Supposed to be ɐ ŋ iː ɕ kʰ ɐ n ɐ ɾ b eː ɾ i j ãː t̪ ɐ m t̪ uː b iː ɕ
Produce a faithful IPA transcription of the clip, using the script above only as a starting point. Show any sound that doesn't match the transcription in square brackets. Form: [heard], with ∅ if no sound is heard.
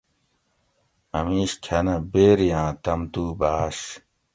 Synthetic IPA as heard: ɐ [m] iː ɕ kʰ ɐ n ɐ [∅] b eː ɾ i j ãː t̪ ɐ m t̪ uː b [aː] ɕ